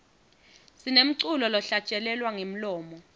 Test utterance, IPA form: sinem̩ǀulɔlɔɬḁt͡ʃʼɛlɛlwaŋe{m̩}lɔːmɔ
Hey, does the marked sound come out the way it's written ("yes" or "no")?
yes